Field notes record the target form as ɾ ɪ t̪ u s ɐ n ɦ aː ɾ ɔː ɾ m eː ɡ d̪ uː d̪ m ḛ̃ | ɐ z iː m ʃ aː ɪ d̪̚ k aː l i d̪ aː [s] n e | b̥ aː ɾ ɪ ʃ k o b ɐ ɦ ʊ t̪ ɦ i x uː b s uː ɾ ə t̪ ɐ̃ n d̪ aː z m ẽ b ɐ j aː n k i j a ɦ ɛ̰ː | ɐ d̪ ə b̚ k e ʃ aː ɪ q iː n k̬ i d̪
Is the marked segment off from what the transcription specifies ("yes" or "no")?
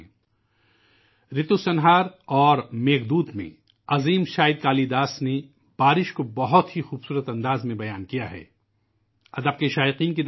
no